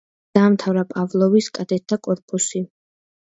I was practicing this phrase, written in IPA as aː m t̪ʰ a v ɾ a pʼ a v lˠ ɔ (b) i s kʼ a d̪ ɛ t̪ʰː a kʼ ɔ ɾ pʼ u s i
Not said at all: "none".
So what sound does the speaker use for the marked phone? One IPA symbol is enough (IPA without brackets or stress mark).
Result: v